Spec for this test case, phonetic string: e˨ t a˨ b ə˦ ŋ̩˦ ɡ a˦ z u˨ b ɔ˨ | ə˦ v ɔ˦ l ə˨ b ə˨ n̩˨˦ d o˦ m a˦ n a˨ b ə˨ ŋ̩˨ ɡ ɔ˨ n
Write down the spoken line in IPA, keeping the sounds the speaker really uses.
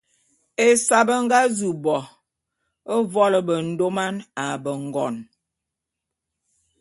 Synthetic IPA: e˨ s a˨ b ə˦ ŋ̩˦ ɡ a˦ z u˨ b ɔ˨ | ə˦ v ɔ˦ l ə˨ b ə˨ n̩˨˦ d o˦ m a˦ n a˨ b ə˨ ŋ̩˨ ɡ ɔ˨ n